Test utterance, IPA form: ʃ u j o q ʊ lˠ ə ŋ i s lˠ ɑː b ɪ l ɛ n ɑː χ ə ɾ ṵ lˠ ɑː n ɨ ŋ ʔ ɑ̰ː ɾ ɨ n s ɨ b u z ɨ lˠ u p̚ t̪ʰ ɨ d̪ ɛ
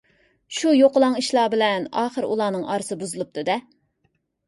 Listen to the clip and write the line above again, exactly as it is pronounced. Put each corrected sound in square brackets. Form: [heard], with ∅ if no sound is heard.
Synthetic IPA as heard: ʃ u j o q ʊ lˠ [ɑ] ŋ i [ʃ] lˠ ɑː b ɪ l ɛ n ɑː χ ə ɾ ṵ lˠ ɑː n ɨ ŋ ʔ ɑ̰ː ɾ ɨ [∅] s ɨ b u z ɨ lˠ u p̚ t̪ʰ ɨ d̪ ɛ